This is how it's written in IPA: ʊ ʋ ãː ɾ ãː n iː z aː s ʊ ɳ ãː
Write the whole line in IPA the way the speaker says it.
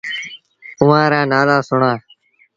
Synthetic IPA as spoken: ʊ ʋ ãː ɾ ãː n aː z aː s ʊ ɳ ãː